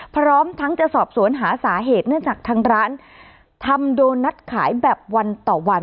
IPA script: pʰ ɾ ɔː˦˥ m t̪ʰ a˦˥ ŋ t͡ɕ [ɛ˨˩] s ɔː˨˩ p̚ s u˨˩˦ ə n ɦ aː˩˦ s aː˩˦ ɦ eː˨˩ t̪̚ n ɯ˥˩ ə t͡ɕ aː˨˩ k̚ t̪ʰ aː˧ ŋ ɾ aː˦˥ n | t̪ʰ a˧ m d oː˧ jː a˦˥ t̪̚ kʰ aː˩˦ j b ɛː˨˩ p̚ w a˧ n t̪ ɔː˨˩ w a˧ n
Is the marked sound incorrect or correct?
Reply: incorrect